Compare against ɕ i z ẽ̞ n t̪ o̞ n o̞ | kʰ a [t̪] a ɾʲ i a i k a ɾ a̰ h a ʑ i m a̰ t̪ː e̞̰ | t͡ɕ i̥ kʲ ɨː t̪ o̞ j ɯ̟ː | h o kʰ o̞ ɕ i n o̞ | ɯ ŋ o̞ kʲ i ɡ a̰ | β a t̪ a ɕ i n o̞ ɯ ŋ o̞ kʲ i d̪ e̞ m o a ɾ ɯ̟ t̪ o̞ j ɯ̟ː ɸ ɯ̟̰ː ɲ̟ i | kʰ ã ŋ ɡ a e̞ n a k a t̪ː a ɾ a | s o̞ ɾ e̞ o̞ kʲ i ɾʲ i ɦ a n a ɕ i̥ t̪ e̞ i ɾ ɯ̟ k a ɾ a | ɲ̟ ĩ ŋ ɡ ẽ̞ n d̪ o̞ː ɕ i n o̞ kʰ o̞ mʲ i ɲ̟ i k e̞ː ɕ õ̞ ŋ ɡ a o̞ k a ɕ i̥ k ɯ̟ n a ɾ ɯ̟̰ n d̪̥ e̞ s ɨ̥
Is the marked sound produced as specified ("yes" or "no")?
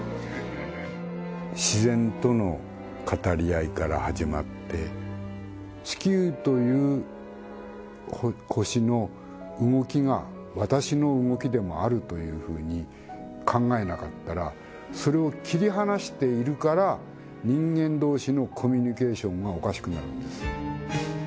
yes